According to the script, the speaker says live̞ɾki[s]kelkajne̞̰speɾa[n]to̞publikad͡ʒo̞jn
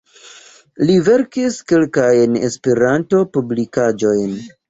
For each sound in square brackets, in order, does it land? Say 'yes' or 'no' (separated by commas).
yes, yes